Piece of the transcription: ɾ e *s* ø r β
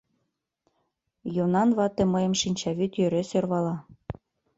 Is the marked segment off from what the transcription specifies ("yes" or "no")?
no